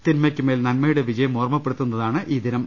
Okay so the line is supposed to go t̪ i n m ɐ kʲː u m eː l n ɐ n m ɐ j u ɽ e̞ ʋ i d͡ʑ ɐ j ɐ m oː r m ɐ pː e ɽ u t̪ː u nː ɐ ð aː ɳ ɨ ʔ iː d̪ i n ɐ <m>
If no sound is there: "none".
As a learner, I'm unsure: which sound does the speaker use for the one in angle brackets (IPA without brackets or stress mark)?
m